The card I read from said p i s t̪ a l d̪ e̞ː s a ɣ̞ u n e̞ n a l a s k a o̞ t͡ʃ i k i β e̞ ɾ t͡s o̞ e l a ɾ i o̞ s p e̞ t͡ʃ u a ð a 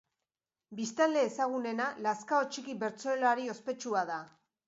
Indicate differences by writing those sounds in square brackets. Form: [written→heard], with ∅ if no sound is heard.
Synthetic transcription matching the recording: [p→b] i s t̪ a l d̪ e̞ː s a ɣ̞ u n e̞ n a l a s k a o̞ t͡ʃ i k i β e̞ ɾ t͡s o̞ e l a ɾ i o̞ s p e̞ t͡ʃ u a ð a